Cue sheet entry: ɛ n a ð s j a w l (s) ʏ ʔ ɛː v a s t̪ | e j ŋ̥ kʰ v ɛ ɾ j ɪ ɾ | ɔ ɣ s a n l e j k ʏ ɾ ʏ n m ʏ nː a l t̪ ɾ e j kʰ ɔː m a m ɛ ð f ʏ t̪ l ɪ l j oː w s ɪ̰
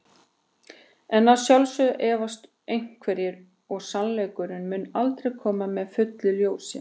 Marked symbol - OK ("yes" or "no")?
yes